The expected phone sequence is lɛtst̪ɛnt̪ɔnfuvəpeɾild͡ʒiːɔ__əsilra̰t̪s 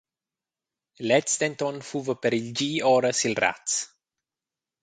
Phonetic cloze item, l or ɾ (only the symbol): ɾ